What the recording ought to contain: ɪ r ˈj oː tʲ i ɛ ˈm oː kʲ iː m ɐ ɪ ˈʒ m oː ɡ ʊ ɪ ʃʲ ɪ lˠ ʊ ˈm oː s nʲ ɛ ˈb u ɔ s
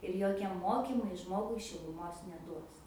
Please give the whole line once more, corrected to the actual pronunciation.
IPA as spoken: ɪ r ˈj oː kʲ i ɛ ˈm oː kʲ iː m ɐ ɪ ˈʒ m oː ɡ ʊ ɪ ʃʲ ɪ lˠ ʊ ˈm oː s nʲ ɛ ˈd u ɔ s